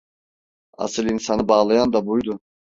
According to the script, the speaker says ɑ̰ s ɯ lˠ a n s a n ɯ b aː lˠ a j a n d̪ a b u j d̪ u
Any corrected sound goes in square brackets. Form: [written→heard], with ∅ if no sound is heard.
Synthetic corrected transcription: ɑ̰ s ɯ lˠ [a→i] n s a n ɯ b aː lˠ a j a n d̪ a b u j d̪ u